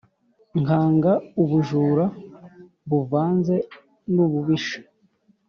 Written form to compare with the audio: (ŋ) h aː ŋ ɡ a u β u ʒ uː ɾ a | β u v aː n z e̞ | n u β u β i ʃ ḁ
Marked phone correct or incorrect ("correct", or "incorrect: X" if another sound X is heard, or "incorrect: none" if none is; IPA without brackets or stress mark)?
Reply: correct